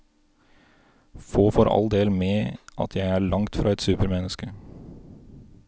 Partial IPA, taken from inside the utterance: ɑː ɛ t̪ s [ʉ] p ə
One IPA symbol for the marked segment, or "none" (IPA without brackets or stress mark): ʉː